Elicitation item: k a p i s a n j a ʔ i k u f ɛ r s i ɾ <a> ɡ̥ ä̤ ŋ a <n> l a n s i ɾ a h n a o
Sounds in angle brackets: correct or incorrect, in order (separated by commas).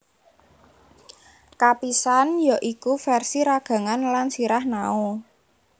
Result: correct, correct